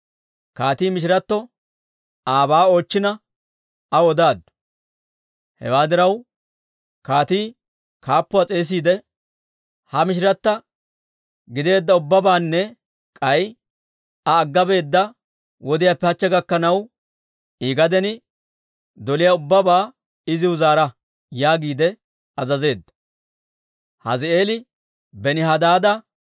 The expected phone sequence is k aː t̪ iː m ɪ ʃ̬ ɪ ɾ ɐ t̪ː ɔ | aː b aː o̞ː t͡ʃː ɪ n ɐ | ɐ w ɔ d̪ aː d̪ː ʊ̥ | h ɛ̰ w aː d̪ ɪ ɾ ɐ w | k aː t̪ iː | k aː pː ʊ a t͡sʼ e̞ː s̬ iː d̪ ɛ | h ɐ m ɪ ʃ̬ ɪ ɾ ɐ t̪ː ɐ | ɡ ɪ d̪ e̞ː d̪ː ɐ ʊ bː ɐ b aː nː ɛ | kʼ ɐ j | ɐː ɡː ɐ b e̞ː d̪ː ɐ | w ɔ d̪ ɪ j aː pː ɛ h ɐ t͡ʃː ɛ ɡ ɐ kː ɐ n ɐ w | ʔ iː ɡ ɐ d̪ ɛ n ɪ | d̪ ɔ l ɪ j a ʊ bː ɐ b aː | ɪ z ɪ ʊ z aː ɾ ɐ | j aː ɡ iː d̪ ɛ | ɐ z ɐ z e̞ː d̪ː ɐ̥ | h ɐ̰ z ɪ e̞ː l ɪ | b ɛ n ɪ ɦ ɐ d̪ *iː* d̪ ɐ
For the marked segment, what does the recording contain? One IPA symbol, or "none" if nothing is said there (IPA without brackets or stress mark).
aː